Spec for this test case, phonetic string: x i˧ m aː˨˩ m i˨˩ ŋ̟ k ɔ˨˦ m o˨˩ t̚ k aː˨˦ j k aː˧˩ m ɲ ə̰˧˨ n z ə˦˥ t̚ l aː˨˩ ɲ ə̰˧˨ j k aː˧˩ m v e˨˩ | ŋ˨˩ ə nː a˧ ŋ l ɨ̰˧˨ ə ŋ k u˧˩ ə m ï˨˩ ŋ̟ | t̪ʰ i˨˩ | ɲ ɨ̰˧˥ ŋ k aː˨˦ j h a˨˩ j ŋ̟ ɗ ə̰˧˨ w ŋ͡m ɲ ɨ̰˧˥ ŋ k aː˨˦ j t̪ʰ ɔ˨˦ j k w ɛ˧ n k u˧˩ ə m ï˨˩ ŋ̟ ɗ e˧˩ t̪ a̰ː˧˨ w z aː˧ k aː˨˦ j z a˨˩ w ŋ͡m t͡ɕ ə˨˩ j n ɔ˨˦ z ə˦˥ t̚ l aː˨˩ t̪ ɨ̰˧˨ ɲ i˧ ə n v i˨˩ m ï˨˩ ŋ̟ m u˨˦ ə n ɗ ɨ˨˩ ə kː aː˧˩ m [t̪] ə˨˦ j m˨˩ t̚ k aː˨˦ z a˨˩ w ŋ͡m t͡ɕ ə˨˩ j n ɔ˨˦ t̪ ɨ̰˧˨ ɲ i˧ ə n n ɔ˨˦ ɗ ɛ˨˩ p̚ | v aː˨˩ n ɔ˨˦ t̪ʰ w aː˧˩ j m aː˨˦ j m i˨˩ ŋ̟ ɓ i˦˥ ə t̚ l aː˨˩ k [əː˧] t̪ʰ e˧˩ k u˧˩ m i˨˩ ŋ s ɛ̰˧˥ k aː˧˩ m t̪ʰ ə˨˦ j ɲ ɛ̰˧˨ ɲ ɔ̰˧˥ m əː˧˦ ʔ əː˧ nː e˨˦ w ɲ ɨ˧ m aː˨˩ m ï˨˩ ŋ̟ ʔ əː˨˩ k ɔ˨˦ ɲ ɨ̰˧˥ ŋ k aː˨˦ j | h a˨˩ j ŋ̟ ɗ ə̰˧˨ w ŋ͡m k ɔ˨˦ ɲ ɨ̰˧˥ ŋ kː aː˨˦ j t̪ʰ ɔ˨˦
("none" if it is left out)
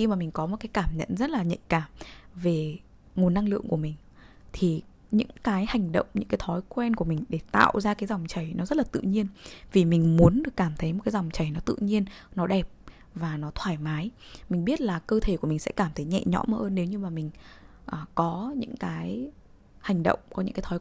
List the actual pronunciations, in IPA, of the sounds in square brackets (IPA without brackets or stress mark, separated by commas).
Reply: t̪ʰ, əː˧